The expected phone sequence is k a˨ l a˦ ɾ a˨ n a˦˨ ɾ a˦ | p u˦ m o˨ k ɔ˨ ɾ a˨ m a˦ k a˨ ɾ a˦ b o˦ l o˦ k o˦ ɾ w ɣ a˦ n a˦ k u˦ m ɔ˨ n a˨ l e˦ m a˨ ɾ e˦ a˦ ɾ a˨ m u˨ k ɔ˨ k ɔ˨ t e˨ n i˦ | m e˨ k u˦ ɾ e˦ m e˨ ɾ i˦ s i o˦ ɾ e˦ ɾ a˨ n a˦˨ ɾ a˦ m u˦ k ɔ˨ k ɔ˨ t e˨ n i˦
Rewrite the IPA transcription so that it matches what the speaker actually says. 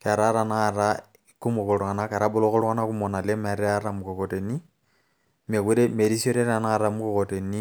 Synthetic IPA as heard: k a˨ ɾ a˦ ɾ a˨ n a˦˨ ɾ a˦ | k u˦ m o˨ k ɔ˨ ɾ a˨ n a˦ k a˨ ɾ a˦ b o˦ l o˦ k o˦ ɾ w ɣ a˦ n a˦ k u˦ m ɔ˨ n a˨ l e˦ m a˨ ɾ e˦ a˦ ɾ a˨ m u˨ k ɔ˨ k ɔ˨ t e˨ n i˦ | m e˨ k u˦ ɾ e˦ m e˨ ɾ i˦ s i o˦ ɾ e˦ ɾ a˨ n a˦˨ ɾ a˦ m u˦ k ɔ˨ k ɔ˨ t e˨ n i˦